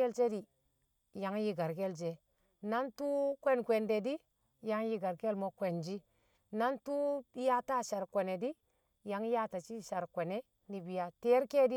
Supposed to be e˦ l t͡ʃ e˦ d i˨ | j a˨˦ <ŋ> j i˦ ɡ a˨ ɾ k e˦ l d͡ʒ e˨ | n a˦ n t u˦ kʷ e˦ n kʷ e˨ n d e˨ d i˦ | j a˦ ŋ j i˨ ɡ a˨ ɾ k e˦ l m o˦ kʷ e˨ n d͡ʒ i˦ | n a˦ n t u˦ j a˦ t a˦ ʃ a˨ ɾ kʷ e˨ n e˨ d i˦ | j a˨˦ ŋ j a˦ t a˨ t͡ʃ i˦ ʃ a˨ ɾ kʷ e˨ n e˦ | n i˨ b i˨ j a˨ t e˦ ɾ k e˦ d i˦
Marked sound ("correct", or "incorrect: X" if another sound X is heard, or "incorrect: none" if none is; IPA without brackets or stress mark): correct